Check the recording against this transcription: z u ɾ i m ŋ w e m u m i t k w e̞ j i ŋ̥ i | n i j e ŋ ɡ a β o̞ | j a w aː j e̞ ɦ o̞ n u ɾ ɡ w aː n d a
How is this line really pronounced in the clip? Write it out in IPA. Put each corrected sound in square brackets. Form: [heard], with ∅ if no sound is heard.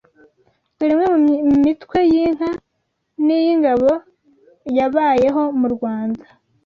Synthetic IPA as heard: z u ɾ i m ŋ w e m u m i t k w e̞ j i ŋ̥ [a] | n i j [i] ŋ ɡ a β o̞ | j a [β] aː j e̞ ɦ o̞ [m] u ɾ ɡ w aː n d a